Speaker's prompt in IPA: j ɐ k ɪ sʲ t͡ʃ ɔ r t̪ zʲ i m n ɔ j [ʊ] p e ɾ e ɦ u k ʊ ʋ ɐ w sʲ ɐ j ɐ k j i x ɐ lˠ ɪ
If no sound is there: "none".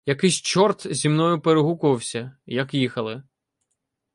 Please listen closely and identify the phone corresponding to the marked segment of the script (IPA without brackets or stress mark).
ʊ